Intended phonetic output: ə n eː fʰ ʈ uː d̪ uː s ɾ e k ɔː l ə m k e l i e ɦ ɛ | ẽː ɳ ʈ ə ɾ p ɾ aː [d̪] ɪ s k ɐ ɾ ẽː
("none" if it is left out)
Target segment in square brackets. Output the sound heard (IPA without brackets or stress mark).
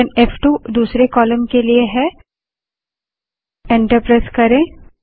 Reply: none